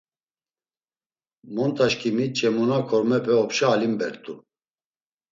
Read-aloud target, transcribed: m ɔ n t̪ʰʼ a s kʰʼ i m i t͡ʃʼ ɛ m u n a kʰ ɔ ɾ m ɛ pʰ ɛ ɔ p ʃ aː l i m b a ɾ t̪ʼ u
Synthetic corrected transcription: m ɔ n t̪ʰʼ a ʃ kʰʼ i m i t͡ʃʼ ɛ m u n a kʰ ɔ ɾ m ɛ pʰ ɛ ɔ p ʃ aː l i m b ɛ ɾ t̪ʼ u